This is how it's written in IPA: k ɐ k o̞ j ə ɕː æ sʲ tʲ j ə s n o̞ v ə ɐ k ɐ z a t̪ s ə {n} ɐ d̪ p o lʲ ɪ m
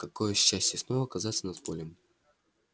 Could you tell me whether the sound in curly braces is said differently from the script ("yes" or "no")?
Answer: no